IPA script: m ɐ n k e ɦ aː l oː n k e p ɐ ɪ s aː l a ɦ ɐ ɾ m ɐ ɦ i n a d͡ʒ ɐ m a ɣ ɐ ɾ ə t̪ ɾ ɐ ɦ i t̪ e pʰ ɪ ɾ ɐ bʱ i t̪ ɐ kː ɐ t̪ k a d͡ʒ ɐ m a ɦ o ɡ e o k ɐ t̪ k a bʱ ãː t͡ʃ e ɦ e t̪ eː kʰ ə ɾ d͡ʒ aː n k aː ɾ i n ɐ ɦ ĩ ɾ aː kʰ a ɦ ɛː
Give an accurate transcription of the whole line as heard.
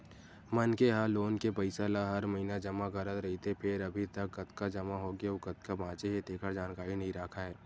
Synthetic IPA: m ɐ n k e ɦ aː l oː n k e p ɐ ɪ s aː l a ɦ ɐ ɾ m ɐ ɦ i n a d͡ʒ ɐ m a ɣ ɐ ɾ ə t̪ ɾ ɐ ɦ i t̪ e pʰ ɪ ɾ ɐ bʱ i t̪ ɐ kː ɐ t̪ k a d͡ʒ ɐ m a ɦ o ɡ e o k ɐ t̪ k a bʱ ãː t͡ʃ e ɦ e t̪ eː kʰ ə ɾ d͡ʒ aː n k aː ɾ i n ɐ ɦ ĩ ɾ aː kʰ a ɦ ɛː

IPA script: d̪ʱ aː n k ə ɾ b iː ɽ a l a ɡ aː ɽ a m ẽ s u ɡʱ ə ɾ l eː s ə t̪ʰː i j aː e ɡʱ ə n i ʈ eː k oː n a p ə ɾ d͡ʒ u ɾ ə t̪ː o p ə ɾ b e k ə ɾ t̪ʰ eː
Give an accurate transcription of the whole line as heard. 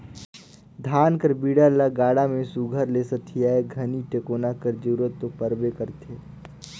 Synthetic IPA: d̪ʱ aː n k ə ɾ b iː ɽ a l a ɡ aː ɽ a m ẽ s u ɡʱ ə ɾ l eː s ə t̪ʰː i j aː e ɡʱ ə n i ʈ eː k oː n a k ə ɾ d͡ʒ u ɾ ə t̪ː o p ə ɾ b e k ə ɾ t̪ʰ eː

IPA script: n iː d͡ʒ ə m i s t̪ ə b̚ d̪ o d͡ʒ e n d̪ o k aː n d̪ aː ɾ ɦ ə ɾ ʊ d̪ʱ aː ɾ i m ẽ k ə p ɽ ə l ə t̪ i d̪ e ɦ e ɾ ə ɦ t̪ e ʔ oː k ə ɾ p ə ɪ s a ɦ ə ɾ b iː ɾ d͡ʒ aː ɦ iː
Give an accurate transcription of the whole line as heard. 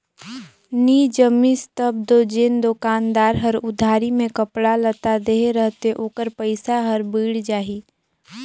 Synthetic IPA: n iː d͡ʒ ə m i s t̪ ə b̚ d̪ o d͡ʒ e n d̪ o k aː n d̪ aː ɾ ɦ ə ɾ ʊ d̪ʱ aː ɾ i m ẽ k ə p ɽ a l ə t̪ a d̪ e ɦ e ɾ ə ɦ t̪ e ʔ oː k ə ɾ p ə ɪ s a ɦ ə ɾ b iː ɽ d͡ʒ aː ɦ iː

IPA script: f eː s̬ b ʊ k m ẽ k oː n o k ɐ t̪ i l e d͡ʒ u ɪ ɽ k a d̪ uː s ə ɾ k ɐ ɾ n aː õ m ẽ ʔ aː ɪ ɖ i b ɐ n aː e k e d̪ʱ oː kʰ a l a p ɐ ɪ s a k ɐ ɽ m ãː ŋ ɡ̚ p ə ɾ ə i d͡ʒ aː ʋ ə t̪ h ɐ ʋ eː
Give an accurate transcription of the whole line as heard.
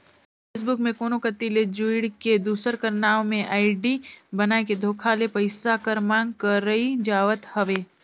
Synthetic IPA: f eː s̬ b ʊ k m ẽ k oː n o k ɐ t̪ i l e d͡ʒ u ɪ ɽ k e d̪ uː s ə ɾ k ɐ ɾ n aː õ m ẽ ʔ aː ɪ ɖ i b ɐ n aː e k e d̪ʱ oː kʰ a l e p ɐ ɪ s a k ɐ ɾ m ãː ŋ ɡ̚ k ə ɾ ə i d͡ʒ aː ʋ ə t̪ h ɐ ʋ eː

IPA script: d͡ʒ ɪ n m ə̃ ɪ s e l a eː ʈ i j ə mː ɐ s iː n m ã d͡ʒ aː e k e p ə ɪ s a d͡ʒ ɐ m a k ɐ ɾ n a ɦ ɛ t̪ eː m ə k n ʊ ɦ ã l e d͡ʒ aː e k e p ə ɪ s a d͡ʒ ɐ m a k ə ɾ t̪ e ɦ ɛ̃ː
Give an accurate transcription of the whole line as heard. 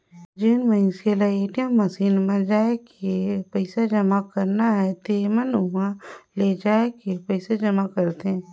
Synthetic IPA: d͡ʒ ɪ n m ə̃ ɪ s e l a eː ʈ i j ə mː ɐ s iː n m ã d͡ʒ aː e k e p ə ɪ s a d͡ʒ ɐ m a k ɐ ɾ n a ɦ ɛ t̪ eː m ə n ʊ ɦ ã l e d͡ʒ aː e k e p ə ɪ s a d͡ʒ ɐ m a k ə ɾ t̪ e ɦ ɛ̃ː

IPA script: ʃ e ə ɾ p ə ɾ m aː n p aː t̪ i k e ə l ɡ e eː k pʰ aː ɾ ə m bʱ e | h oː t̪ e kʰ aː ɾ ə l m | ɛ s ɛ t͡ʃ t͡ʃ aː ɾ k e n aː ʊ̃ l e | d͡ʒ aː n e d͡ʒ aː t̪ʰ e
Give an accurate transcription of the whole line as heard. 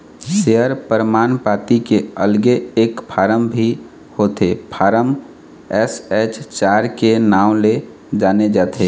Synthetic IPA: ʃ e ə ɾ p ə ɾ m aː n p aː t̪ i k e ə l ɡ e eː k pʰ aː ɾ ə m bʱ i | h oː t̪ e pʰ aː ɾ ə m | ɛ s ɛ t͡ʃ t͡ʃ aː ɾ k e n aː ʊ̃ l e | d͡ʒ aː n e d͡ʒ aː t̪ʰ e

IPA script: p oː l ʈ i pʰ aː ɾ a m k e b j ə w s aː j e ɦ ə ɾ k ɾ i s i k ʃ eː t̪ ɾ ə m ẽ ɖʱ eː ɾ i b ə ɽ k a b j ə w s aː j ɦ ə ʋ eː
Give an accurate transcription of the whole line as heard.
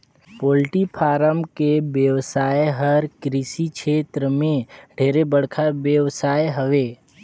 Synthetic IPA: p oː l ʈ i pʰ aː ɾ ə m k e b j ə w s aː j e ɦ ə ɾ k ɾ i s i k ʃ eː t̪ ɾ ə m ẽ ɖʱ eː ɾ e b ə ɽ kʰ a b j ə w s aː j ɦ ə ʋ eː

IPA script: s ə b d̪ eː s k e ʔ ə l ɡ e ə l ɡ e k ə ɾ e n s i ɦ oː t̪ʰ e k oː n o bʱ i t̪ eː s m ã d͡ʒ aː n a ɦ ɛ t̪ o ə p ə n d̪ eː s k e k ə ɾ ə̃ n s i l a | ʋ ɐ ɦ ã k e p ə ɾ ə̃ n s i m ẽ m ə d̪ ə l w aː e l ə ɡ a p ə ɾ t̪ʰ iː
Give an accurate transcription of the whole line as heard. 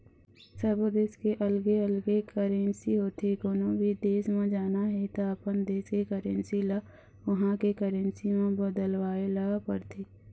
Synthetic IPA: s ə b d̪ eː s k e ʔ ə l ɡ e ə l ɡ e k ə ɾ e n s i ɦ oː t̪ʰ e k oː n o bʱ i d̪ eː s m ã d͡ʒ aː n a ɦ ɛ t̪ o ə p ə n d̪ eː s k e k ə ɾ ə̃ n s i l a | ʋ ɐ ɦ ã k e k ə ɾ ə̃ n s i m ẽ b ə d̪ ə l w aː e l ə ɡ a p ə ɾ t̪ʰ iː

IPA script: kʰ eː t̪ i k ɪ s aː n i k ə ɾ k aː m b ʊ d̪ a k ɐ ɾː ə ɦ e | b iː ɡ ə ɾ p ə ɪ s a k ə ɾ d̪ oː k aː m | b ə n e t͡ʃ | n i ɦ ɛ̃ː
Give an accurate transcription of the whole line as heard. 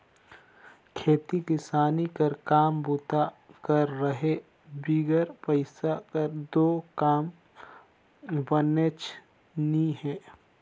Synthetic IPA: kʰ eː t̪ i k ɪ s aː n i k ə ɾ k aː m b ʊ t̪ a k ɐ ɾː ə ɦ e | b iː ɡ ə ɾ p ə ɪ s a k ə ɾ d̪ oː k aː m | b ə n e t͡ʃ | n i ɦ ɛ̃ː

